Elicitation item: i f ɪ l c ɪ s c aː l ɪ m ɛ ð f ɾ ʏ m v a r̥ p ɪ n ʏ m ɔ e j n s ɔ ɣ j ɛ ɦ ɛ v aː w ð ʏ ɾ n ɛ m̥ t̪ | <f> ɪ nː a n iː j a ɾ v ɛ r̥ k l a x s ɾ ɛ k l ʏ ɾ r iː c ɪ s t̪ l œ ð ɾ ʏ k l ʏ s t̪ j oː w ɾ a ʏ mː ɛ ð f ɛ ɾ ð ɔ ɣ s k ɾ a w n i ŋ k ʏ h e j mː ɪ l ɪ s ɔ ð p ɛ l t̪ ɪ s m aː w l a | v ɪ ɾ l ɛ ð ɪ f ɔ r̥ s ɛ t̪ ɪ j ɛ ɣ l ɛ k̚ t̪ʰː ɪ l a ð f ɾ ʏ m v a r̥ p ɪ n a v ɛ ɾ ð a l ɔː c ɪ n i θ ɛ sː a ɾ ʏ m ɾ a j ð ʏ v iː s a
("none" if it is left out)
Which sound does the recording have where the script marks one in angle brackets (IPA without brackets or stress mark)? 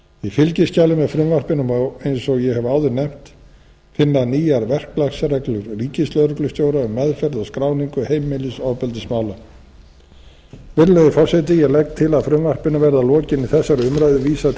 f